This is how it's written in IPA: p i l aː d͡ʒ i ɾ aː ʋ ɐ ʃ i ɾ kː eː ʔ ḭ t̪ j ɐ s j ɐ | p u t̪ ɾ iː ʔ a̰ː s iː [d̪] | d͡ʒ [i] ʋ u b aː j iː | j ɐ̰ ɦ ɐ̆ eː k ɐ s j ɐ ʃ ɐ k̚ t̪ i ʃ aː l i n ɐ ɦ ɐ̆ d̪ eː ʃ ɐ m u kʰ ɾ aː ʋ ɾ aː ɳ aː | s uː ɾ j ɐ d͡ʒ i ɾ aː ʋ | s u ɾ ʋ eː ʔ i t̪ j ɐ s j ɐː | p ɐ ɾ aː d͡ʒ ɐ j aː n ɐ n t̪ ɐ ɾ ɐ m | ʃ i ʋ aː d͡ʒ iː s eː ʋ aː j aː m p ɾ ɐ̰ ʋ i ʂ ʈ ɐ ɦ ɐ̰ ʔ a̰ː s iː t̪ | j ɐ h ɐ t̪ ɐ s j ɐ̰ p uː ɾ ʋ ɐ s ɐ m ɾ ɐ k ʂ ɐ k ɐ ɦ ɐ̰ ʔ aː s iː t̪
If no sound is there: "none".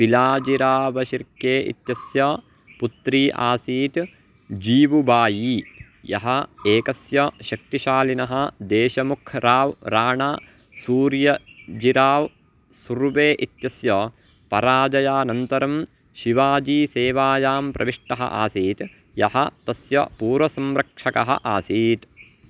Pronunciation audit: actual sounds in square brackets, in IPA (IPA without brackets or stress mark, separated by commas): t̪, iː